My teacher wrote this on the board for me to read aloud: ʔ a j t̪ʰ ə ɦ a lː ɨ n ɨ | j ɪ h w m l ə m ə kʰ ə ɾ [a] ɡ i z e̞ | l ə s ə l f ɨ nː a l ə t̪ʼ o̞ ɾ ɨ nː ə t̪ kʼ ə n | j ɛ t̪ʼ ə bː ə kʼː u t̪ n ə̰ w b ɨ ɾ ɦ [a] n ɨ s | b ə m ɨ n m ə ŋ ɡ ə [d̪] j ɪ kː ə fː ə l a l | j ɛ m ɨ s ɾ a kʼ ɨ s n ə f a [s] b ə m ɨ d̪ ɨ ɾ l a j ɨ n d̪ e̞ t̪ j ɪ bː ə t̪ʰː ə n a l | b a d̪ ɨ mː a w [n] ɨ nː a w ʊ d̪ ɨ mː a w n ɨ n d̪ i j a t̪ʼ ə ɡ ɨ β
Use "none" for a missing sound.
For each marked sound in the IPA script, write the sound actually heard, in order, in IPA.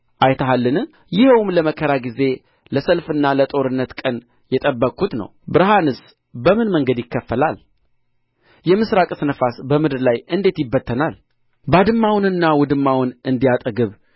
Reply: a, a, d̪, s, n

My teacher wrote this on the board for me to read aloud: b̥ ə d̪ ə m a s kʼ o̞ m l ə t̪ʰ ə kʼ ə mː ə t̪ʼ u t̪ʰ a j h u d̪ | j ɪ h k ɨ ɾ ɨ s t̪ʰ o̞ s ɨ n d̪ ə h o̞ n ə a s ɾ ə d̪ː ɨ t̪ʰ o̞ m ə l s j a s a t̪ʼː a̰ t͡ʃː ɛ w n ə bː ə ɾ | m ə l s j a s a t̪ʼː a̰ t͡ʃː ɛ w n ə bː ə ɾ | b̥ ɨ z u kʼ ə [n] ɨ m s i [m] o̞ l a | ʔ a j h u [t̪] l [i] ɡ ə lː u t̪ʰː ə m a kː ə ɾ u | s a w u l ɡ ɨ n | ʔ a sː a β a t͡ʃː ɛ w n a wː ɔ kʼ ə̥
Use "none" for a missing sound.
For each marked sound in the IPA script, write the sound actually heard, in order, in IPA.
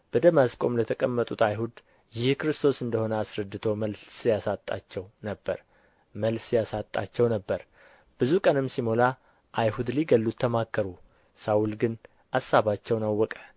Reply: n, m, d̪, i

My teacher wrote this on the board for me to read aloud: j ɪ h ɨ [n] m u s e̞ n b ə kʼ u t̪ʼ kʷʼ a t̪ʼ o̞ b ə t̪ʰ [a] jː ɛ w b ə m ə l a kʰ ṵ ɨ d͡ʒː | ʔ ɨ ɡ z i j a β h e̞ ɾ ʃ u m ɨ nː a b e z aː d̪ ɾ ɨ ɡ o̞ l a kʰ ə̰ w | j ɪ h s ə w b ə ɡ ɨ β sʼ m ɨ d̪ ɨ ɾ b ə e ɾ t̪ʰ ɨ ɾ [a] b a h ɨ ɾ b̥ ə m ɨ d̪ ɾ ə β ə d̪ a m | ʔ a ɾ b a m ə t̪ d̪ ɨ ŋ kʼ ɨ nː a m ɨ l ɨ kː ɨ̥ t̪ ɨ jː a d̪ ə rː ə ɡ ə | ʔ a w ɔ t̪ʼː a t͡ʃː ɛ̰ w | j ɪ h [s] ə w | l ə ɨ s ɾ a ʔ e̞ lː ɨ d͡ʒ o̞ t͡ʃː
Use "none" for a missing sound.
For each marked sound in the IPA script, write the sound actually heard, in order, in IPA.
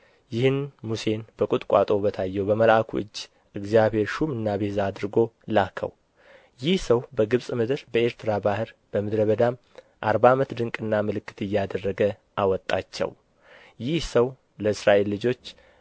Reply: n, a, a, s

